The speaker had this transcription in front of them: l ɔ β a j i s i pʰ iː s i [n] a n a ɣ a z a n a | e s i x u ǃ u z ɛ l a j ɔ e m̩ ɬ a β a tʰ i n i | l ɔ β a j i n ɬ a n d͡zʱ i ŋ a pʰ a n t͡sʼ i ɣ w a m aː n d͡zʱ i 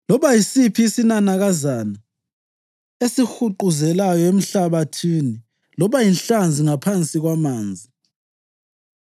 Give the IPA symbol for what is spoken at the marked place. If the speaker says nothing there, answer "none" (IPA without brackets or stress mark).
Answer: n